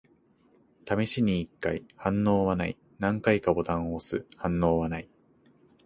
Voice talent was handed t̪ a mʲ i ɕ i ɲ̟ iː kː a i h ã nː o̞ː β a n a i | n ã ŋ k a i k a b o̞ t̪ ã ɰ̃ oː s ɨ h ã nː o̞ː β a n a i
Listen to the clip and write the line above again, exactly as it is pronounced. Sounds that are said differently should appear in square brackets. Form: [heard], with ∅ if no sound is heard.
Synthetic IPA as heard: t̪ a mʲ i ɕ i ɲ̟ iː kː a i h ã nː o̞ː β a n a i | n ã ŋ k a i k a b o̞ t̪ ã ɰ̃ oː s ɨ h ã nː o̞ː β a n a i